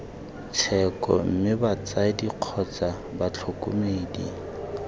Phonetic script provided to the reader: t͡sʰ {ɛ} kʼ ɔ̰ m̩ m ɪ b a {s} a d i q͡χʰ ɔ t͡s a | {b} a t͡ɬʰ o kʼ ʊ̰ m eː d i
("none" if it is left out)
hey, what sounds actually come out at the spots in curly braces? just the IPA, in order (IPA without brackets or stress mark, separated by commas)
ɛ, t͡s, b